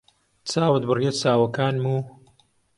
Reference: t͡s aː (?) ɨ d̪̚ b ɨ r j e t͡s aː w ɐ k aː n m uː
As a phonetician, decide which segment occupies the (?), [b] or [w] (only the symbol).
w